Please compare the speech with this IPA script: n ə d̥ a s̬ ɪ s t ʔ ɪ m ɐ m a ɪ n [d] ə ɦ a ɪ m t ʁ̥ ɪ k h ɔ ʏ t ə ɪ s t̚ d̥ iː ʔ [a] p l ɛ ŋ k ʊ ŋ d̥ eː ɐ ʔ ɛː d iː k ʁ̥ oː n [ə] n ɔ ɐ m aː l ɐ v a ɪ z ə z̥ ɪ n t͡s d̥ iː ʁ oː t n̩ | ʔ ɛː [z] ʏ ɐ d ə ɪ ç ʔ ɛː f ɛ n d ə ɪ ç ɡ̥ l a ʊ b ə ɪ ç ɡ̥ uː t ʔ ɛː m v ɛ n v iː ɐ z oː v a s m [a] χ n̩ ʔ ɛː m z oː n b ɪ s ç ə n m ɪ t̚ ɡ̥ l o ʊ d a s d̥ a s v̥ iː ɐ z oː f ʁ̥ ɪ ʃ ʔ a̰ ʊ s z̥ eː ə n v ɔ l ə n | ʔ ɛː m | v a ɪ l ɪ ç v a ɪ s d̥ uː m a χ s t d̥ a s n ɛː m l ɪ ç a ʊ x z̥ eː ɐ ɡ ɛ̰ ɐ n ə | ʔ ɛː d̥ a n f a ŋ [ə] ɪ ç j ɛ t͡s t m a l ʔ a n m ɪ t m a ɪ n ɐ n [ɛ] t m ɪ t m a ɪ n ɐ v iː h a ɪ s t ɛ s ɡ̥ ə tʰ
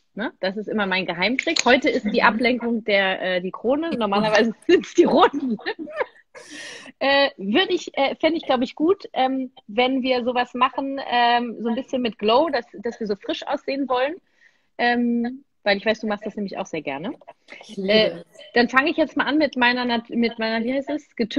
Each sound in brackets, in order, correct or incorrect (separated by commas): incorrect, correct, correct, incorrect, correct, correct, incorrect